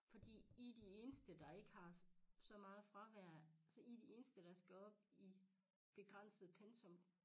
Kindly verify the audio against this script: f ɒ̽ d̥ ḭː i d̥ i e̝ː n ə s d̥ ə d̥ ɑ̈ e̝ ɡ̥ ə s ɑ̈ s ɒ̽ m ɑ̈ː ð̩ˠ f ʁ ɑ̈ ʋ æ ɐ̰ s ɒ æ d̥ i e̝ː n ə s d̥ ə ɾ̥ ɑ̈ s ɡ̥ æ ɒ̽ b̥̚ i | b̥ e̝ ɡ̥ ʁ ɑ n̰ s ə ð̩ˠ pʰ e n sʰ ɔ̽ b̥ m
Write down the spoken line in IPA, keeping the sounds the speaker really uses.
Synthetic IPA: f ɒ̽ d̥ ḭː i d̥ i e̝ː n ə s d̥ ə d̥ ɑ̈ e̝ ɡ̥ ə h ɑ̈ s ɒ̽ m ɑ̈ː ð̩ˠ f ʁ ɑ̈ ʋ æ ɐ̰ s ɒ i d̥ i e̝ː n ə s d̥ ə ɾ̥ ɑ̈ s ɡ̥ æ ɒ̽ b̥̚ i | b̥ e̝ ɡ̥ ʁ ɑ n̰ s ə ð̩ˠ pʰ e n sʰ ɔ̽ m